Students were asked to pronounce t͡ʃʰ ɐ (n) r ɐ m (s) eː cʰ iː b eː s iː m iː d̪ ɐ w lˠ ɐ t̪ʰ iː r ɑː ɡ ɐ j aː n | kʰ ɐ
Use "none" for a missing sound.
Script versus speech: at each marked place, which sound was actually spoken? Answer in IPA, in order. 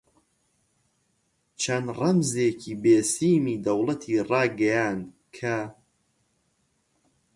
n, z

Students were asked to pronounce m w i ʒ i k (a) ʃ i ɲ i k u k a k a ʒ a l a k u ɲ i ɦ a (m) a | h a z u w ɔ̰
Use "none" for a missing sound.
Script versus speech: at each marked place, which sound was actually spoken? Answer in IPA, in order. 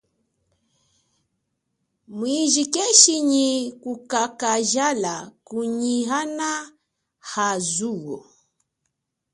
ɛ, n

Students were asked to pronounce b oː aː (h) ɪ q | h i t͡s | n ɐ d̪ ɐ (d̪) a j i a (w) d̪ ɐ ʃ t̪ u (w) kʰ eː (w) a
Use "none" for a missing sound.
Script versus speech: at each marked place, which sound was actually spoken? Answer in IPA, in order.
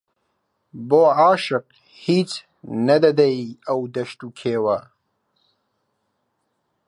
ʃ, d̪, w, none, w

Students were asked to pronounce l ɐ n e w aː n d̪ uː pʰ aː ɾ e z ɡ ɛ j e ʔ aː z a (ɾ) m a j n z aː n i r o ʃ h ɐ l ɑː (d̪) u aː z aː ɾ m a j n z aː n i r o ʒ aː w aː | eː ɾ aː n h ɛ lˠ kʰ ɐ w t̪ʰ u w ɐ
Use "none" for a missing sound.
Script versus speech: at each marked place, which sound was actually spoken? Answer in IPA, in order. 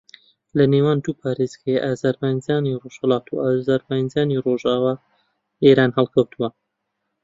ɾ, t̪

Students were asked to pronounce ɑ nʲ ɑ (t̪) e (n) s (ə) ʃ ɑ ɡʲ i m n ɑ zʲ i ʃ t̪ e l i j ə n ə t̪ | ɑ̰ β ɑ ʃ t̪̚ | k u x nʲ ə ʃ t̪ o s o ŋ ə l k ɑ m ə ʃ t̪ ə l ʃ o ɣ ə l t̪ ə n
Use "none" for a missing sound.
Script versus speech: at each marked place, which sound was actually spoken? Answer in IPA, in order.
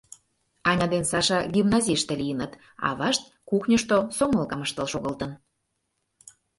d̪, n, ɑ

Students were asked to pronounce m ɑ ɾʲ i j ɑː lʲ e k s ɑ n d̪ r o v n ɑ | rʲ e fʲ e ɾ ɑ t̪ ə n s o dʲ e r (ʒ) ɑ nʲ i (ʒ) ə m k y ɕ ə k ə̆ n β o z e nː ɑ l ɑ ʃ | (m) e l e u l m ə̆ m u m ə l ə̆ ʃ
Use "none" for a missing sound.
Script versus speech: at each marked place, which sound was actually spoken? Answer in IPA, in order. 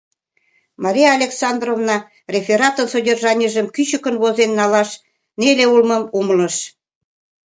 ʒ, ʒ, n

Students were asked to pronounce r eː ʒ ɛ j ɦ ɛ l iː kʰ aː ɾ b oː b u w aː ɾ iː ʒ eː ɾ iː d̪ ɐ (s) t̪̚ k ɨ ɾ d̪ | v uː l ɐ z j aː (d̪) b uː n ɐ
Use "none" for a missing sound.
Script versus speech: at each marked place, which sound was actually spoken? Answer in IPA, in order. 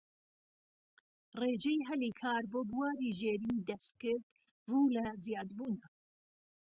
s, d̪

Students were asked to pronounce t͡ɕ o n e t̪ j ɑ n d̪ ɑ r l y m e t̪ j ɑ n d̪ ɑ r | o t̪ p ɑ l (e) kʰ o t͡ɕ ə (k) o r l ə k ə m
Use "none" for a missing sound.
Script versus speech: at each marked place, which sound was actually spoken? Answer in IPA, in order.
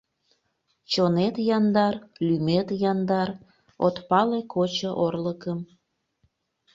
e, ʔ

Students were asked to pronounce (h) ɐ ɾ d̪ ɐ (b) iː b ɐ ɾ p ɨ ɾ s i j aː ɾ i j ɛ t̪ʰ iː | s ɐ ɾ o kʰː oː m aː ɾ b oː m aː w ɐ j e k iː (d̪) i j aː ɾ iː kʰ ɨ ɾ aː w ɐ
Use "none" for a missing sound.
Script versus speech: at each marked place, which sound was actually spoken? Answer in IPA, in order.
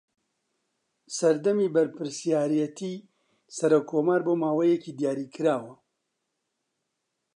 s, m, d̪

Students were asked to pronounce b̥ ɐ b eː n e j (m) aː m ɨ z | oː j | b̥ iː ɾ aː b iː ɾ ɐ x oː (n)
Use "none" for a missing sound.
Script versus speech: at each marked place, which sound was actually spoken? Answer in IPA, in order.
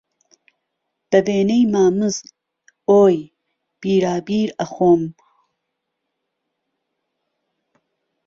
m, m

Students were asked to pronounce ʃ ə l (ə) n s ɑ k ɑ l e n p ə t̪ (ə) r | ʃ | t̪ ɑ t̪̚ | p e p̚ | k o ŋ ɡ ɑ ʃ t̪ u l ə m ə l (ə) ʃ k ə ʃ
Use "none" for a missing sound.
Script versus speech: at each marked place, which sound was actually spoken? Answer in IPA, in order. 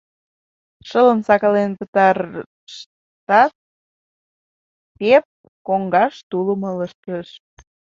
ə, ɑ, ə

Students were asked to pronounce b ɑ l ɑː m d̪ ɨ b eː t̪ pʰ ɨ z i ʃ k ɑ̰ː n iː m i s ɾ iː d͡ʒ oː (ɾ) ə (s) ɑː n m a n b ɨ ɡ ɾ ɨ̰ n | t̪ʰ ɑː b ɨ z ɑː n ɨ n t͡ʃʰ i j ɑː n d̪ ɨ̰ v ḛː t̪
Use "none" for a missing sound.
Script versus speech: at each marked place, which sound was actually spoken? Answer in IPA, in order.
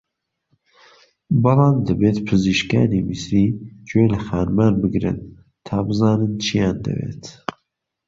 l, x

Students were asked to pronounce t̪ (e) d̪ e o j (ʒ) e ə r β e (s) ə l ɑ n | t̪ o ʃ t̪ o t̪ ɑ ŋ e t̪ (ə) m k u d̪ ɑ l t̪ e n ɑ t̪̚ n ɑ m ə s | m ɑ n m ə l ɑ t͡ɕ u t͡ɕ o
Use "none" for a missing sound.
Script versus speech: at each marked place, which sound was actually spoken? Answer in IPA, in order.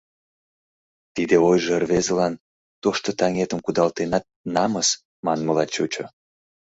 i, ʒ, z, ə

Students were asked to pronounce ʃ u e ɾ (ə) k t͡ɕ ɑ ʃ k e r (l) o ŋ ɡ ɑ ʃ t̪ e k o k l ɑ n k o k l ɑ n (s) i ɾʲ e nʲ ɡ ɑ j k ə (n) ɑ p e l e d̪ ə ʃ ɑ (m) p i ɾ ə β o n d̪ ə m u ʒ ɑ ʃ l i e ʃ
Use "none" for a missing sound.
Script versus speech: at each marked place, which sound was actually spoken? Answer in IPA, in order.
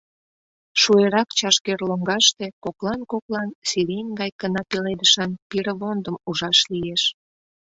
ɑ, l, s, n, n

